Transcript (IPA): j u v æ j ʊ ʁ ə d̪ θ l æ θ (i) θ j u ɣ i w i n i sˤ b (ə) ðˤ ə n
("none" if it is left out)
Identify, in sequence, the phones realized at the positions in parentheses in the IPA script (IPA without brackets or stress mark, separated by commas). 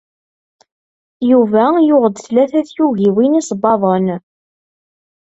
æ, ɑ